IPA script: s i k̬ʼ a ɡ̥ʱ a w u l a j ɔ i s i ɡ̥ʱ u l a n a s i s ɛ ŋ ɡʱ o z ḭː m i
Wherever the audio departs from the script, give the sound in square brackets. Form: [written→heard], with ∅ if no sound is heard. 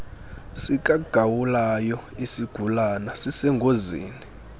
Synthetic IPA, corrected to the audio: s i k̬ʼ a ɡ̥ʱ a w u l a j ɔ i s i ɡ̥ʱ u l a n a s i s ɛ ŋ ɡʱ o z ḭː [m→n] i